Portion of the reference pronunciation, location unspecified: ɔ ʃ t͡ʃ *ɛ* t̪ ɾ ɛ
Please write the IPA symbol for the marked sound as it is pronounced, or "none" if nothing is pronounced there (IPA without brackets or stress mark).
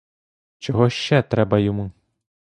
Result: ɛ